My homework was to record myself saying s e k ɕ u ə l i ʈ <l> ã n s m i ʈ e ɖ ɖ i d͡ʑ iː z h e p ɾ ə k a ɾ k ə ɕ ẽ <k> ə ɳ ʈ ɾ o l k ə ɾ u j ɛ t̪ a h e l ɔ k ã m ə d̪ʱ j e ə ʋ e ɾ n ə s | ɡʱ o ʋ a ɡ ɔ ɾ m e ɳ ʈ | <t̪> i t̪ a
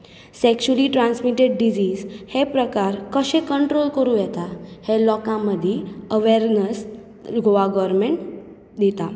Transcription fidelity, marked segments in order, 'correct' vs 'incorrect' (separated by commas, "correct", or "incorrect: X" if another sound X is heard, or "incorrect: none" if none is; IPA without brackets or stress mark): incorrect: ɾ, correct, incorrect: d̪